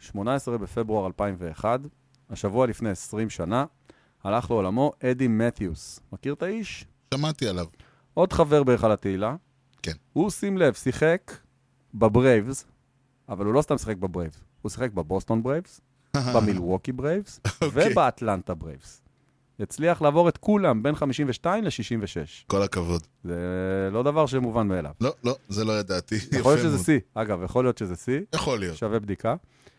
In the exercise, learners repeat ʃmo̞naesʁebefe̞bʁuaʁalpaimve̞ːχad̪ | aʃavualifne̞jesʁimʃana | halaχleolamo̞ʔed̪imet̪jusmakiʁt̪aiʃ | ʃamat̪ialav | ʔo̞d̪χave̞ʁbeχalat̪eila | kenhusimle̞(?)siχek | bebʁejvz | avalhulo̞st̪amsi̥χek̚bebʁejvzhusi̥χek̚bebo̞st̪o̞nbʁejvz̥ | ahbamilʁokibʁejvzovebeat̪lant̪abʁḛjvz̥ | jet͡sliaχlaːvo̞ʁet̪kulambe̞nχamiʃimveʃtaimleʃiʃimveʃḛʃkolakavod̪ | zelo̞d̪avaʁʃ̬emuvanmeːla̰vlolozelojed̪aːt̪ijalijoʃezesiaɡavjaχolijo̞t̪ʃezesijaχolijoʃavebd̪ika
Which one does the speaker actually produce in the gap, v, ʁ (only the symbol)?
v